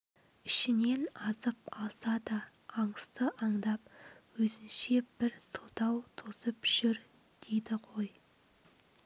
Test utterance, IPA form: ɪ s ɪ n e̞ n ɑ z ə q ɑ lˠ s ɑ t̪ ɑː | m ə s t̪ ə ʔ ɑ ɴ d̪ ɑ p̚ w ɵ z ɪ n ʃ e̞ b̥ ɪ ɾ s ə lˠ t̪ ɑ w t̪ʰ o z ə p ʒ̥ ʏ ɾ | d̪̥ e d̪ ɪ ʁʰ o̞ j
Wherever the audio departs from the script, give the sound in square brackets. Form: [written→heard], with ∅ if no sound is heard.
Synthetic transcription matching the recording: ɪ [s→ʃ] ɪ n e̞ n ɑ z ə [q→p] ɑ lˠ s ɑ [t̪→d̪] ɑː | [m→ɴ] ə s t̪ ə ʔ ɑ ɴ d̪ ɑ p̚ w ɵ z ɪ n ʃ e̞ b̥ ɪ ɾ s ə lˠ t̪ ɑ w t̪ʰ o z ə p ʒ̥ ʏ ɾ | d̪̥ e d̪ ɪ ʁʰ o̞ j